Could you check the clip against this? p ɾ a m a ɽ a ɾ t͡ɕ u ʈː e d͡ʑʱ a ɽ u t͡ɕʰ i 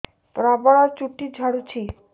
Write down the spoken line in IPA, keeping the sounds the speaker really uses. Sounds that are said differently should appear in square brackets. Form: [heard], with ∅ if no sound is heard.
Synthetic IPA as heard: p ɾ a [b] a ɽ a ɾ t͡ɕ u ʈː [i] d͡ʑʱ a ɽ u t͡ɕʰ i